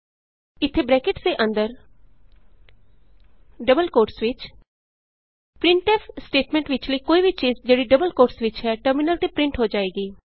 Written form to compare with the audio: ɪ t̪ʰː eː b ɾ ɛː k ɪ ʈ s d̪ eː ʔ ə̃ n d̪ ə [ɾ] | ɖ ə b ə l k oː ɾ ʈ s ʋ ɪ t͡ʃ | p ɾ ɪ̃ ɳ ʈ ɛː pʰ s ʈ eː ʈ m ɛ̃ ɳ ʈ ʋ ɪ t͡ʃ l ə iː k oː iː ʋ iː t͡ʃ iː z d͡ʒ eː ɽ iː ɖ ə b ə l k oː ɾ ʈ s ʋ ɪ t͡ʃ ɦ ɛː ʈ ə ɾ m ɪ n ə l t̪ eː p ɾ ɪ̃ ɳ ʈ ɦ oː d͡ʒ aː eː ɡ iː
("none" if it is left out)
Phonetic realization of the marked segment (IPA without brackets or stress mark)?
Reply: ɾ